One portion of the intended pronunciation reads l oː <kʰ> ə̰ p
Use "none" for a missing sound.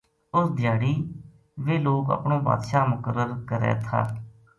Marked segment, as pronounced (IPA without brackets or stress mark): k